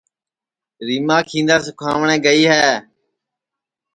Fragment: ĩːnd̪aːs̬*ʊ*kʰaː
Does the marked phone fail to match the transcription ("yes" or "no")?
no